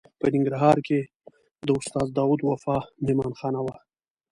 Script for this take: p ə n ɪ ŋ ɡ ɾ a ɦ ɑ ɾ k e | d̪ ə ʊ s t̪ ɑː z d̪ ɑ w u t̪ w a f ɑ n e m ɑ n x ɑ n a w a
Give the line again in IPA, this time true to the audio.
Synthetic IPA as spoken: p ə n ɪ ŋ ɡ ɾ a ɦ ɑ ɾ k e | d̪ ə ʊ s t̪ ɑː z d̪ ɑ w u d̪ w a f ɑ m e m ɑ n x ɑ n a w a